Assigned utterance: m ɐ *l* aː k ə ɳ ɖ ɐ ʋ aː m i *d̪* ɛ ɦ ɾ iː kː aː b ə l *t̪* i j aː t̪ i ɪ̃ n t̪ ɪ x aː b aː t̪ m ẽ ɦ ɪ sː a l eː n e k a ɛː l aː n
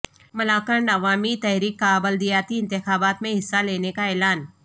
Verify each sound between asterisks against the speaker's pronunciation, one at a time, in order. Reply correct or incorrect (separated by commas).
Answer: correct, incorrect, incorrect